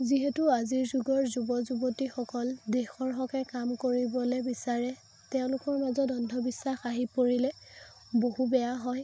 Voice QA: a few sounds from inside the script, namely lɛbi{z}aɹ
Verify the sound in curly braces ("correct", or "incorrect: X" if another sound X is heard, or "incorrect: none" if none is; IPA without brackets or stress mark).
incorrect: s